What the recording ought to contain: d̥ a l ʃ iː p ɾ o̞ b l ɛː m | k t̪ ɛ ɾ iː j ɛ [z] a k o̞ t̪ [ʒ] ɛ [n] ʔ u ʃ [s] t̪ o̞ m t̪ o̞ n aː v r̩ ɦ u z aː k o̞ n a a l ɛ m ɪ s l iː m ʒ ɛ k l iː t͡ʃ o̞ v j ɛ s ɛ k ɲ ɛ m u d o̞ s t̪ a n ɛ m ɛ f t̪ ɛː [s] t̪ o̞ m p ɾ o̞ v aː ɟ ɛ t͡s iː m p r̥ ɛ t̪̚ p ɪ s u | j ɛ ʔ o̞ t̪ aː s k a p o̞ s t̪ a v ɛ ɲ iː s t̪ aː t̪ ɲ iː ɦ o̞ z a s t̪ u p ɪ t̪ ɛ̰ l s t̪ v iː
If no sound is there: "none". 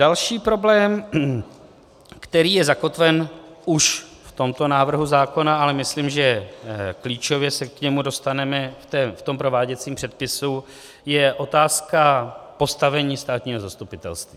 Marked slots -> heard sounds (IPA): z, v, n, f, f

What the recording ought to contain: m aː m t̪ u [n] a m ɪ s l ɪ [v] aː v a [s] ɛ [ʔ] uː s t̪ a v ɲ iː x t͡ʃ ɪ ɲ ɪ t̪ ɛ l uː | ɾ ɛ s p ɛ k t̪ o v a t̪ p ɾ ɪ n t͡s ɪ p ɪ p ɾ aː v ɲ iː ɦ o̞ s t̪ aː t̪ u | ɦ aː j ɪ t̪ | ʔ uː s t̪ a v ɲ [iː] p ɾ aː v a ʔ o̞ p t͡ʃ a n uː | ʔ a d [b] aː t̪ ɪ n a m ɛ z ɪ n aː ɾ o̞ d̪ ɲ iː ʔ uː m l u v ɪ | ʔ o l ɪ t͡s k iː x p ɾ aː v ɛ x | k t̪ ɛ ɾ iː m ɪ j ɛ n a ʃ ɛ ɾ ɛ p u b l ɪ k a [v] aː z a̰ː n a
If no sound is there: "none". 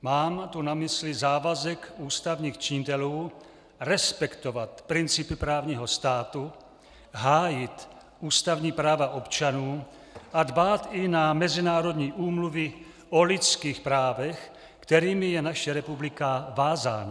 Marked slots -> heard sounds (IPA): n, z, z, k, iː, b, v

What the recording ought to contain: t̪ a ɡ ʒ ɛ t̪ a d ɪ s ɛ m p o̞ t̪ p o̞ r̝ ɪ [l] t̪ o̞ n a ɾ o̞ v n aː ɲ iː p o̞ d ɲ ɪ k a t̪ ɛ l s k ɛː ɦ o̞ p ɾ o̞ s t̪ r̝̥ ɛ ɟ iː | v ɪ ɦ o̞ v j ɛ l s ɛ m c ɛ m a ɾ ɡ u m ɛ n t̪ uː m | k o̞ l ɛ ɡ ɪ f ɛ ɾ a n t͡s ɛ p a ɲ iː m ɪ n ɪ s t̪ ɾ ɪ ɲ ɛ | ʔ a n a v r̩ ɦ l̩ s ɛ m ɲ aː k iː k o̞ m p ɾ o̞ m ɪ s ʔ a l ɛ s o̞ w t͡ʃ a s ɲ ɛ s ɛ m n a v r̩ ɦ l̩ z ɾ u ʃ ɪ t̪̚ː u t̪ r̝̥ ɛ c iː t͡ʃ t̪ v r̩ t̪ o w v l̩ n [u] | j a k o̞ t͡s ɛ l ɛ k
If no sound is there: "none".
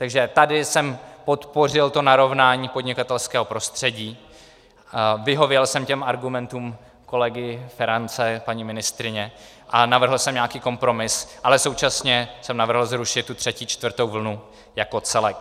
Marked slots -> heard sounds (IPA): l, u

